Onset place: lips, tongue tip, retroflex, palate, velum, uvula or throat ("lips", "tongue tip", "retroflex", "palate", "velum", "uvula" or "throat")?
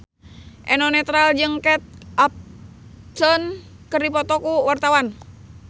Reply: throat